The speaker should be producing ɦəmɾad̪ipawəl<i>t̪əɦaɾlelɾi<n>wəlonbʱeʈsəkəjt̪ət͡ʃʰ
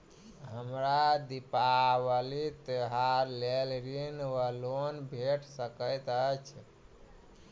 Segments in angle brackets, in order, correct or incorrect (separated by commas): correct, correct